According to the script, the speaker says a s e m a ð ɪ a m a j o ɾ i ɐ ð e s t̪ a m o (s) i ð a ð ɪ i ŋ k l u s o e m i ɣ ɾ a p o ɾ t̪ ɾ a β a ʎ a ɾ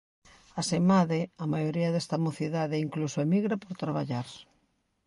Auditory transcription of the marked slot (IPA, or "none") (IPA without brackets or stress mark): θ